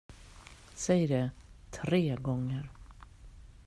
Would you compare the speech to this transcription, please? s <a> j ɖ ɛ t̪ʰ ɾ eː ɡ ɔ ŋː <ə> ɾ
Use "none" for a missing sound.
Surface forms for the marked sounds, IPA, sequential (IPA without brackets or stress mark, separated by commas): ɛ, ə